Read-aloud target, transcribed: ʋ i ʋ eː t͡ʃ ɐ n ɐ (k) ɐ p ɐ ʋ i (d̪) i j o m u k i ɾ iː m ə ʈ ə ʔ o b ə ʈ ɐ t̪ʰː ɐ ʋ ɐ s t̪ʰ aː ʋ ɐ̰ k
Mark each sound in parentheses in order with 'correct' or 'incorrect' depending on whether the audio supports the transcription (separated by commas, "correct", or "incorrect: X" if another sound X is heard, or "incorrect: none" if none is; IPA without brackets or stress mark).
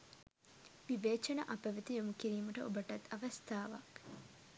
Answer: incorrect: ʔ, incorrect: t̪